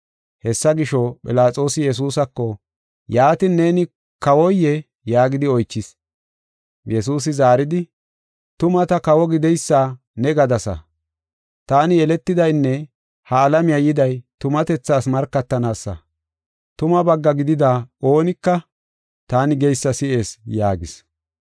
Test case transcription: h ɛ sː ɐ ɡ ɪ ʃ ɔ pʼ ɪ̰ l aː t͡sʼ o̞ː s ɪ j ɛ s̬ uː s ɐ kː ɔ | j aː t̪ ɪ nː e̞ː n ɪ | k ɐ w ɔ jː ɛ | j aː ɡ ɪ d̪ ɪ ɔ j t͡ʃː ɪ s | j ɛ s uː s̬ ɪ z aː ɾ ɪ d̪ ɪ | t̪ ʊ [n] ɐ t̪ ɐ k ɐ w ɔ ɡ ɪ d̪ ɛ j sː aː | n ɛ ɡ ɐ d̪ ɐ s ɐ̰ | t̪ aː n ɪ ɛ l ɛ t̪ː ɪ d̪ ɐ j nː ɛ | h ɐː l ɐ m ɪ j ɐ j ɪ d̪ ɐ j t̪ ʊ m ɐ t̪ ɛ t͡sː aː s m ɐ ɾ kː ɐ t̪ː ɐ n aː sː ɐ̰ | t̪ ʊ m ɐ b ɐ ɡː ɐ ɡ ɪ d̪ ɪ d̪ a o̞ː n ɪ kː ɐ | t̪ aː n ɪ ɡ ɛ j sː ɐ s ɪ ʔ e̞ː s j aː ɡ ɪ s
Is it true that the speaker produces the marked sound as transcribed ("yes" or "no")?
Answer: no